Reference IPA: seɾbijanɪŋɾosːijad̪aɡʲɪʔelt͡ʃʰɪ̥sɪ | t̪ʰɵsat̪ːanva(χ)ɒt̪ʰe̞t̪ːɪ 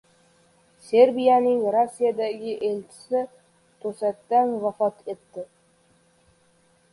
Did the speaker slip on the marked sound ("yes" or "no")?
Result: yes